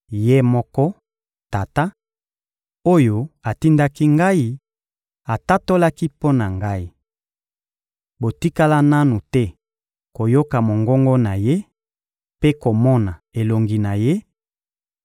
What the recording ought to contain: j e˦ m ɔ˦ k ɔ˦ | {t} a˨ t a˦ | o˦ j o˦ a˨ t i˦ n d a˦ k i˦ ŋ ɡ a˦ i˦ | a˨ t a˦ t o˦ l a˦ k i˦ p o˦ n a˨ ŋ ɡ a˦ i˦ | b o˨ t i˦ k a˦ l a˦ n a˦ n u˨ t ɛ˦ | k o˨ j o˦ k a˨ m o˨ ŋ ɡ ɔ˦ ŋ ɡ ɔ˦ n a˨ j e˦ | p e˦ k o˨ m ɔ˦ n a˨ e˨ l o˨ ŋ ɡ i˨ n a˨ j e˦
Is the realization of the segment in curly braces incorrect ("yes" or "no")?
no